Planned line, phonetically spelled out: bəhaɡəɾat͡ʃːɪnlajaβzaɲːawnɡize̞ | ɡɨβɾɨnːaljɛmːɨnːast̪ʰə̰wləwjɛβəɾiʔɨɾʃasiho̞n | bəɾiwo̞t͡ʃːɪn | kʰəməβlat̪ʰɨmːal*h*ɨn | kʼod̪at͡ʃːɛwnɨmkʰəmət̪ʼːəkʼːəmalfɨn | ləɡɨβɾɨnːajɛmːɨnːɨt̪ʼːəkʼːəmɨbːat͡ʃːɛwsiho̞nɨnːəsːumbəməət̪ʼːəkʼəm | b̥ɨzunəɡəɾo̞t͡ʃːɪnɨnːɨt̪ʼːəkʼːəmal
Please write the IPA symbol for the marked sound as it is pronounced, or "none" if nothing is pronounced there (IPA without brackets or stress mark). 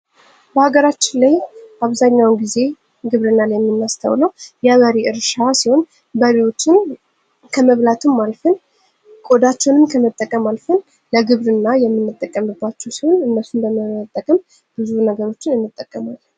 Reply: f